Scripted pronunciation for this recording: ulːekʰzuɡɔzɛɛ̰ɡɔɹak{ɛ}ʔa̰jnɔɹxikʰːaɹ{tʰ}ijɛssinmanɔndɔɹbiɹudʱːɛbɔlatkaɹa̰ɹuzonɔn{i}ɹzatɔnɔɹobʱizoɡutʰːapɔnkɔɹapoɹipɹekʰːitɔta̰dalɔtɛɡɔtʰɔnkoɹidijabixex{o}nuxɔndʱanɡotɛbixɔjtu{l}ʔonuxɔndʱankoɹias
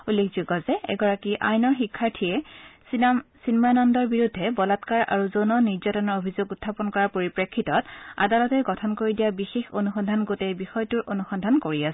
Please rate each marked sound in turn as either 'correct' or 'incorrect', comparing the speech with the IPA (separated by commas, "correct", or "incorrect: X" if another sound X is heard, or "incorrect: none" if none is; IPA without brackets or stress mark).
incorrect: i, correct, correct, correct, incorrect: ɹ